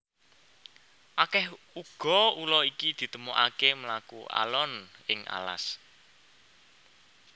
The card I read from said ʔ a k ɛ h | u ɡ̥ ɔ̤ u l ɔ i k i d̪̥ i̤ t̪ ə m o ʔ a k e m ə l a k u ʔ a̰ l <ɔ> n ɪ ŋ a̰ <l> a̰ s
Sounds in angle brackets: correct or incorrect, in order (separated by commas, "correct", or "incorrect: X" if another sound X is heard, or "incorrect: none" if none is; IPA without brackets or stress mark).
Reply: correct, correct